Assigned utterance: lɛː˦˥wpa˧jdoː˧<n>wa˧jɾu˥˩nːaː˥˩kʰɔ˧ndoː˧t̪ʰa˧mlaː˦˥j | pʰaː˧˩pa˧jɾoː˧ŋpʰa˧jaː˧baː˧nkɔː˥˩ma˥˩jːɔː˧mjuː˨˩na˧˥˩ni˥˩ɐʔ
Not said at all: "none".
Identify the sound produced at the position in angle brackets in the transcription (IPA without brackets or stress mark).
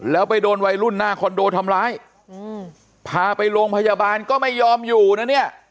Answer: n